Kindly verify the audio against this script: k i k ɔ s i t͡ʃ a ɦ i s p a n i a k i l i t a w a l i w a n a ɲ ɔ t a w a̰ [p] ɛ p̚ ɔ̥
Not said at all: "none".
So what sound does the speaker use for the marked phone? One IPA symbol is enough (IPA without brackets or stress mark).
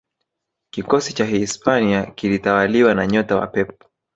p